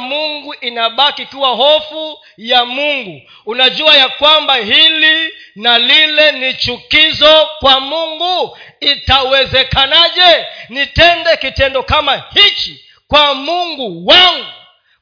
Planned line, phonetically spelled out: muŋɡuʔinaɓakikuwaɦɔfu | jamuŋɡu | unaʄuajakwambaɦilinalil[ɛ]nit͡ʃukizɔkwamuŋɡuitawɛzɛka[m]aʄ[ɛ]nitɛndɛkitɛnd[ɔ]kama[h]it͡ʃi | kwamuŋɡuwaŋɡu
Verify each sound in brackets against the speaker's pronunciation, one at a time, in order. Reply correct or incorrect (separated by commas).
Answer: correct, incorrect, correct, correct, correct